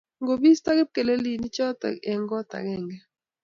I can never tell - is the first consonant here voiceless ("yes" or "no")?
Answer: no